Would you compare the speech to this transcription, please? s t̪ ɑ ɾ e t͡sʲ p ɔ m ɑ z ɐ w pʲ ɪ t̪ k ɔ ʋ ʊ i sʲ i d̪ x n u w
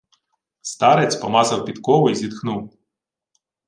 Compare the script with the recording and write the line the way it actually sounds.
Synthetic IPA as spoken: s t̪ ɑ ɾ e t͡sʲ p ɔ m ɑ z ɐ w pʲ i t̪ k ɔ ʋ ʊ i zʲ i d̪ x n u w